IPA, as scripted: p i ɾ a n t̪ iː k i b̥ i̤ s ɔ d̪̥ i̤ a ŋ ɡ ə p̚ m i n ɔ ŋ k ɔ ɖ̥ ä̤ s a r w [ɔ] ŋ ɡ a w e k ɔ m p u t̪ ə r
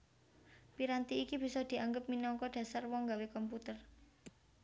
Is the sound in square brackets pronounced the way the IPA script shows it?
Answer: yes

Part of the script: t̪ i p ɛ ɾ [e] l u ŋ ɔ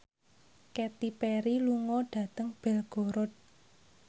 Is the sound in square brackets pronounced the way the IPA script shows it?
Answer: no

